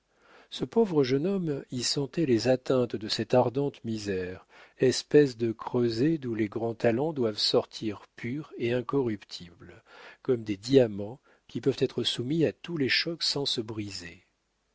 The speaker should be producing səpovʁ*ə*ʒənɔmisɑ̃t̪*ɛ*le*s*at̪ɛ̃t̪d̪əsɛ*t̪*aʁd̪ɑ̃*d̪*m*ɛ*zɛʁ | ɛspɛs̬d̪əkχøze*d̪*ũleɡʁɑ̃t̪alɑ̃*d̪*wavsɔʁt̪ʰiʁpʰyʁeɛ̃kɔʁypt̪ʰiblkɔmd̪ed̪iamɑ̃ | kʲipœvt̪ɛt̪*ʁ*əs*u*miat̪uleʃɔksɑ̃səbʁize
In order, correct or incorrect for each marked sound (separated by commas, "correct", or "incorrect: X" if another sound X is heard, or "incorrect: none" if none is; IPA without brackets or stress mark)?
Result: correct, correct, incorrect: z, correct, incorrect: t̪, incorrect: i, correct, correct, incorrect: χ, correct